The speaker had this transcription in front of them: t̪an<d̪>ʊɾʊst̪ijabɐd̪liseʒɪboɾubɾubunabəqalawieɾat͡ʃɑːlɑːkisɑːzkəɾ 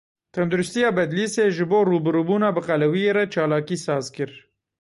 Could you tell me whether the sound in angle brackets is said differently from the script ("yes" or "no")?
no